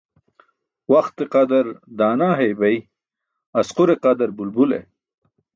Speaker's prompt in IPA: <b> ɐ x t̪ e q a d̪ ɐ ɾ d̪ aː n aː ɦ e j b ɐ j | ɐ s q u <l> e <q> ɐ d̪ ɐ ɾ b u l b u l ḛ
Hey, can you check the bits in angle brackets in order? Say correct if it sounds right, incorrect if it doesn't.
incorrect: w, incorrect: ɾ, correct

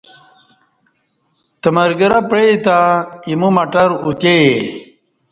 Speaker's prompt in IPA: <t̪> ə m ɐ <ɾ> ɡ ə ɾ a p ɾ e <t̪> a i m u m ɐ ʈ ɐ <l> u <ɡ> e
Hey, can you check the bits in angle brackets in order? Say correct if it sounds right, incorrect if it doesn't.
correct, correct, correct, incorrect: ɾ, incorrect: k

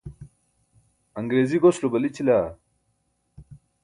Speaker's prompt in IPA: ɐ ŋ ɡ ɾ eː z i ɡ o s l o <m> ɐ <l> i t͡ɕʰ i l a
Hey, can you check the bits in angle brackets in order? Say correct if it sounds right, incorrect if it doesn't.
incorrect: b, correct

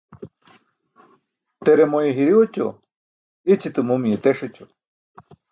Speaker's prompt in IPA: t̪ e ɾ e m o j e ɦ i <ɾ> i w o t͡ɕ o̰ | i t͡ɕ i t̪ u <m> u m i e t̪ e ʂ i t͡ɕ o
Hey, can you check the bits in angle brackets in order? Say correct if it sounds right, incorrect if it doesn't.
correct, correct

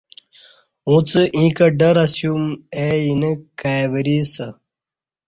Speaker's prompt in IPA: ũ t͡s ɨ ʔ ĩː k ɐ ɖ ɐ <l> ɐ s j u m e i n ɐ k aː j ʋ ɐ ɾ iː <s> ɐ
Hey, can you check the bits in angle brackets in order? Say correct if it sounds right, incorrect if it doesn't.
incorrect: ɾ, correct

